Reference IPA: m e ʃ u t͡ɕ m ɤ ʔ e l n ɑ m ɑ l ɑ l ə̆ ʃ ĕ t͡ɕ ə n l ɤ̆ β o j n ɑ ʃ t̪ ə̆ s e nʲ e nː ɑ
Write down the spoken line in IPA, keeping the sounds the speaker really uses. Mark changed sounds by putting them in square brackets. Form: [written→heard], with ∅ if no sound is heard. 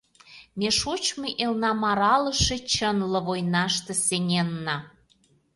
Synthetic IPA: m e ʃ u t͡ɕ m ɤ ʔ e l n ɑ m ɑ [l→ɾ] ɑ l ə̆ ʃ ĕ t͡ɕ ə n l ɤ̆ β o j n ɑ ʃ t̪ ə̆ s e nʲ e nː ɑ